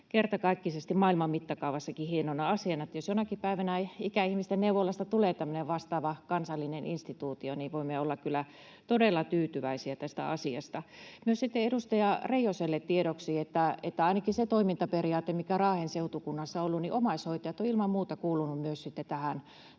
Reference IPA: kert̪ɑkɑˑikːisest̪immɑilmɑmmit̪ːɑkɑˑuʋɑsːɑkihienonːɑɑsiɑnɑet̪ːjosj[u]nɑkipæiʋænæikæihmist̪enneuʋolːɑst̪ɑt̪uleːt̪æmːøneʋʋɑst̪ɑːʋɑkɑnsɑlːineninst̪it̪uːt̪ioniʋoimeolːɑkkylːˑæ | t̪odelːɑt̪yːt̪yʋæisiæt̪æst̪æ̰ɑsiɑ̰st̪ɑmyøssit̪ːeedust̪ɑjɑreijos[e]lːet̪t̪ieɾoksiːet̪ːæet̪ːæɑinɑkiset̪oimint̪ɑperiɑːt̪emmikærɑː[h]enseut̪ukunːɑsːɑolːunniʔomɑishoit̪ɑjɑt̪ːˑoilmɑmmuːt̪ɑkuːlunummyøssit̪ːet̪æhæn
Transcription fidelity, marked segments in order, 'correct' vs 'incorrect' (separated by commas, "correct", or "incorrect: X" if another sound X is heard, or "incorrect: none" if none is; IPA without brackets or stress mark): incorrect: o, correct, correct